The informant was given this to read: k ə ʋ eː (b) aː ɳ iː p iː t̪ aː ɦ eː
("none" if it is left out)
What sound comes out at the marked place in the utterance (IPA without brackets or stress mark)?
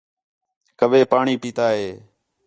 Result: p